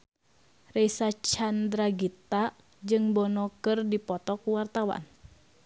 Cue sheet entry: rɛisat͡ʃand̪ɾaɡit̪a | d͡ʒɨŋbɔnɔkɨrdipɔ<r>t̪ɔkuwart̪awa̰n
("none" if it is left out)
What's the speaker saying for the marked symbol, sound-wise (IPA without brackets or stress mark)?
none